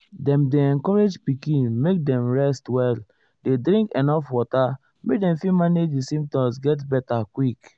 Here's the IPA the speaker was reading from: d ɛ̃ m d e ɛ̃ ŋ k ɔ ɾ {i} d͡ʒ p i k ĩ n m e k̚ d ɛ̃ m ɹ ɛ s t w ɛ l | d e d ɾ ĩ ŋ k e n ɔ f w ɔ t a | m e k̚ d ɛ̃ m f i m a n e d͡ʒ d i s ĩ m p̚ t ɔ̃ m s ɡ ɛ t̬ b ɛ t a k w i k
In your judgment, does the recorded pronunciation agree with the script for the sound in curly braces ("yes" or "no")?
no